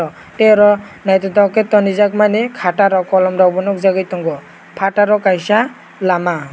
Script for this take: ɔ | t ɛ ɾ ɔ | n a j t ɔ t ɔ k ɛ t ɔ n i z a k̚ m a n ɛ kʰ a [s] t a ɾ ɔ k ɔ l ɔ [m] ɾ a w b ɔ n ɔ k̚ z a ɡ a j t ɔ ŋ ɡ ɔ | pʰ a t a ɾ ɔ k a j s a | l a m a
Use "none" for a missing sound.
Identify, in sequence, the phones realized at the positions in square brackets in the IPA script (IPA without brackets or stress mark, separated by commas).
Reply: none, m